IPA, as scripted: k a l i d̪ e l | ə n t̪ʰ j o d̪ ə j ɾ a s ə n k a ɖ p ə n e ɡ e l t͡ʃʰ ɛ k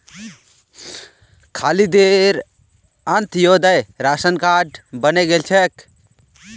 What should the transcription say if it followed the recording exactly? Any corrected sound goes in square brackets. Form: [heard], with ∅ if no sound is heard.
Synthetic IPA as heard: [kʰ] a l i d̪ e [ɾ] | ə n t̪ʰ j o d̪ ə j ɾ a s ə n k a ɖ [b] ə n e ɡ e l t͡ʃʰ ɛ k